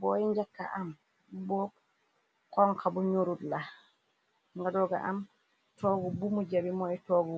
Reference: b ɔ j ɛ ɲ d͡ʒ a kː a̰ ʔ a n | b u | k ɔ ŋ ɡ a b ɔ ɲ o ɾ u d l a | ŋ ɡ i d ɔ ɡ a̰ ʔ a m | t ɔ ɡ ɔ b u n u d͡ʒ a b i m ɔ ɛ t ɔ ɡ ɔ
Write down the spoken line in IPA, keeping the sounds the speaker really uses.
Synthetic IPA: b ɔ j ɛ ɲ d͡ʒ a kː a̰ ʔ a m | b ɔ | k ɔ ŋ k a b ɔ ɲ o ɾ u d l a | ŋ ɡ a d ɔ ɡ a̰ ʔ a m | t ɔ ɡ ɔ b u m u d͡ʒ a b i m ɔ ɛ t ɔ ɡ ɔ